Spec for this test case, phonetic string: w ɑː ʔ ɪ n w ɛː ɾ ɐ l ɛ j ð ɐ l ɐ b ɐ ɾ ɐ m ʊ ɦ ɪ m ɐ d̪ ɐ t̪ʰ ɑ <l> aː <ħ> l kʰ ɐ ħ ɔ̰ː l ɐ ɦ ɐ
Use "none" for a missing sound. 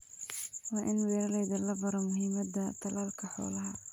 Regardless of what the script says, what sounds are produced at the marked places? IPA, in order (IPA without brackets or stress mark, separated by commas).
l, none